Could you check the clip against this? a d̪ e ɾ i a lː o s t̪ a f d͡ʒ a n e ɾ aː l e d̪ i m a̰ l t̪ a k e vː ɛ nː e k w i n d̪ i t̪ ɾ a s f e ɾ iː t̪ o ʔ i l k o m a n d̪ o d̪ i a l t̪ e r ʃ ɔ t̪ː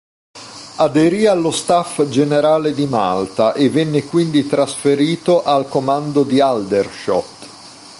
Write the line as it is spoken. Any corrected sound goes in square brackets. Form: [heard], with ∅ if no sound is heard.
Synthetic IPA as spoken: a d̪ e ɾ i a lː o s t̪ a f d͡ʒ [e] n e ɾ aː l e d̪ i m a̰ l t̪ a [ʔ] e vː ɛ nː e k w i n d̪ i t̪ ɾ a s f e ɾ iː t̪ o ʔ [a] l k o m a n d̪ o d̪ i a l [d̪] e r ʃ ɔ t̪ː